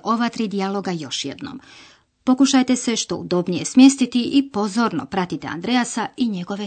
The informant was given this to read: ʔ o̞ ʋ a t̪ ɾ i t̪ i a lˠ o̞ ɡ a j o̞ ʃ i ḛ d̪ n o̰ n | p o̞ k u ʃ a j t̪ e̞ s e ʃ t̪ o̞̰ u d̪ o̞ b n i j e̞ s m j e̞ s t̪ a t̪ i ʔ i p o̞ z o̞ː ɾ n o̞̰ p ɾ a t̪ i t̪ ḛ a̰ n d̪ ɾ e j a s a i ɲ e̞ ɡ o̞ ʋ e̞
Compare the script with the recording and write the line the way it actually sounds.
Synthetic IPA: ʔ o̞ ʋ a t̪ ɾ i d̪ i a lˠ o̞ ɡ a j o̞ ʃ j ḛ d̪ n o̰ m | p o̞ k u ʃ a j t̪ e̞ s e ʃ t̪ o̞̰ u d̪ o̞ b n i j e̞ s m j e̞ s t̪ i t̪ i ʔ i p o̞ z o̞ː ɾ n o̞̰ p ɾ a t̪ i t̪ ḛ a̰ n d̪ ɾ e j a s a i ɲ e̞ ɡ o̞ ʋ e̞